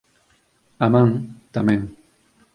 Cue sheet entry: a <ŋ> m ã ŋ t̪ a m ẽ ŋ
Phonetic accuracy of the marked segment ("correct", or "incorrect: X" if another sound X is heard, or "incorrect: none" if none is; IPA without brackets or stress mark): incorrect: none